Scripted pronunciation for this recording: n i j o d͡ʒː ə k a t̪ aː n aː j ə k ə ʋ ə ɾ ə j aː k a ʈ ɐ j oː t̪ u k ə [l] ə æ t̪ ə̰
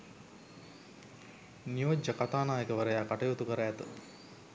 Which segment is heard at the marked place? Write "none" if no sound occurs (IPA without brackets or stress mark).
ɾ